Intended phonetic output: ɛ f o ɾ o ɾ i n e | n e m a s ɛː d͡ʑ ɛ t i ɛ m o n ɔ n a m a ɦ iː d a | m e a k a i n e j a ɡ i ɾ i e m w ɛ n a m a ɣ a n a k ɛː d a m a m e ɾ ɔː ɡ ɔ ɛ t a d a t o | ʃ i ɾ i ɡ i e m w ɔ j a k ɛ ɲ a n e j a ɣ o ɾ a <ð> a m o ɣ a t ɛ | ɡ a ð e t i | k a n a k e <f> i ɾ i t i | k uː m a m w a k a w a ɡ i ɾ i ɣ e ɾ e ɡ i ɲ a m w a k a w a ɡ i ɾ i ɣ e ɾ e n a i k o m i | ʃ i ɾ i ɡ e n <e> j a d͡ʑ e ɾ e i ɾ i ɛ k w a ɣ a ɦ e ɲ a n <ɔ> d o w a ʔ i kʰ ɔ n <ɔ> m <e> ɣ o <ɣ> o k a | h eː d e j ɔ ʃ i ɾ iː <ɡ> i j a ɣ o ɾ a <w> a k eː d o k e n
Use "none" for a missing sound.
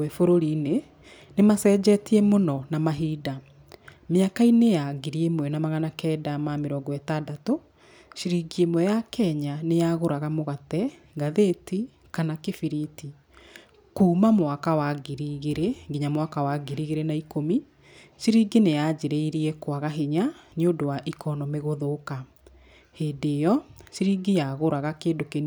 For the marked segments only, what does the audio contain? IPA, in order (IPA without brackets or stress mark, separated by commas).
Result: ɣ, f, e, o, ɔ, e, ð, ɡ, ɣ